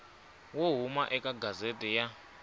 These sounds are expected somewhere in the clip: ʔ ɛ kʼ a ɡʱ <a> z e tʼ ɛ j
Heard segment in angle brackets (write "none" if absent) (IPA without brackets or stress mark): a